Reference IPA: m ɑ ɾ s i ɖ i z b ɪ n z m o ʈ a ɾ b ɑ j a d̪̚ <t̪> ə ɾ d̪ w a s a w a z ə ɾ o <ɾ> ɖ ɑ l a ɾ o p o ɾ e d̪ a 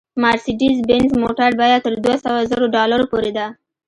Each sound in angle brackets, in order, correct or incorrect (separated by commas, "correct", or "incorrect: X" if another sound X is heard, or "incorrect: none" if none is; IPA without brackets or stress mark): correct, incorrect: none